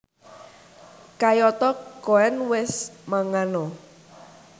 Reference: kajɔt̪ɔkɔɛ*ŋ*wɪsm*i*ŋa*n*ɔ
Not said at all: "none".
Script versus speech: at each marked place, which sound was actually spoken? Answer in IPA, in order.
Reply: n, a, n

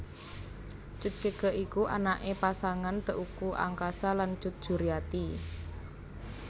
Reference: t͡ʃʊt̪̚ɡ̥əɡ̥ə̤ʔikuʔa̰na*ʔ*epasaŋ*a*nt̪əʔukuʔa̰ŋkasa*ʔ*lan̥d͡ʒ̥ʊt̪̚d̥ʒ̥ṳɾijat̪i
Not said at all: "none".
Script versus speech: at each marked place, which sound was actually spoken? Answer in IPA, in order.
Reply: ʔ, a, none

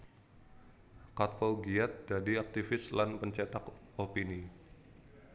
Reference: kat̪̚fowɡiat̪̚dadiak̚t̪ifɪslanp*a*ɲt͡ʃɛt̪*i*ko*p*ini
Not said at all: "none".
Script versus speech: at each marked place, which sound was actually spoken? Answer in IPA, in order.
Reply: ə, a, p

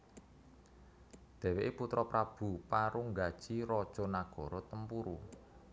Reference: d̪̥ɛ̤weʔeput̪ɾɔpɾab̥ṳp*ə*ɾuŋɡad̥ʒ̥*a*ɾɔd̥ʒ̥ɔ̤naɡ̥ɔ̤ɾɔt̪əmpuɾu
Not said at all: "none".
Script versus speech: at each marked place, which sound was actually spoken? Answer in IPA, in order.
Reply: a, i

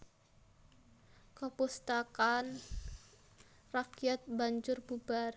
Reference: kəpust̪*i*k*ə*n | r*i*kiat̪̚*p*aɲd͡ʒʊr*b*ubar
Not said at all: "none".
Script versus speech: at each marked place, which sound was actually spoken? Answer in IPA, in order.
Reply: a, a, a, b, b

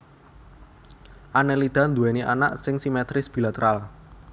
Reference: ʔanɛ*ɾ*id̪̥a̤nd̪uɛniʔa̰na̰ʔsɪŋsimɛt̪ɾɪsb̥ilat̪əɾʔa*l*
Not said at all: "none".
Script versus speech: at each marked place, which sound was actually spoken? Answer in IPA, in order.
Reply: l, l

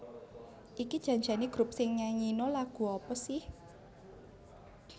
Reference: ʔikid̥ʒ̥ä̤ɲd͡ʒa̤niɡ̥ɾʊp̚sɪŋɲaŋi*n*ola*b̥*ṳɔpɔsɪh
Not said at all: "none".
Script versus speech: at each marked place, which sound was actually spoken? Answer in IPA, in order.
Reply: n, ɡ̥

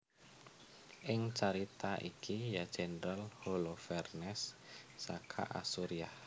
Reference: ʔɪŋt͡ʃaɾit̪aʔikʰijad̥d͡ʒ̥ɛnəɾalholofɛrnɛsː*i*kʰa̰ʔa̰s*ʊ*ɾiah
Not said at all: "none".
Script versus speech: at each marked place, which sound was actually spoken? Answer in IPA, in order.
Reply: a, u

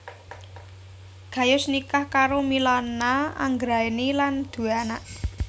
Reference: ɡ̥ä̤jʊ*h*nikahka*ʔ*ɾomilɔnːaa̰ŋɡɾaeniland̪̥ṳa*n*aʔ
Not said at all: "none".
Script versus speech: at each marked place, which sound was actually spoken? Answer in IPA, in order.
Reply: s, none, n

